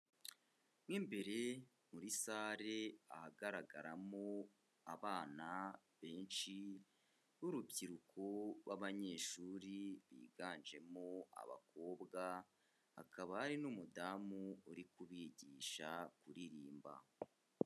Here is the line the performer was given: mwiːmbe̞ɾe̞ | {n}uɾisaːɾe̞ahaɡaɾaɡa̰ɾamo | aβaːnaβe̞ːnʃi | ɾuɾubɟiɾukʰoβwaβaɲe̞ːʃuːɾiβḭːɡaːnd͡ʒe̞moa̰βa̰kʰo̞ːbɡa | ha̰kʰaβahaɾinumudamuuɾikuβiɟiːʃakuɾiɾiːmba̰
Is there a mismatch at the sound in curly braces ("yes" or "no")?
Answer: yes